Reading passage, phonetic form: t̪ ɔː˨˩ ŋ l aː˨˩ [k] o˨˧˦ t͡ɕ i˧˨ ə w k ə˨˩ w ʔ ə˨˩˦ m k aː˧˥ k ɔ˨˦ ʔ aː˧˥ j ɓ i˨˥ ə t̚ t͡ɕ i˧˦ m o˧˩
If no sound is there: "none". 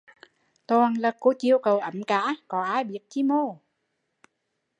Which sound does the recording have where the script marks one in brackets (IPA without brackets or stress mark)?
k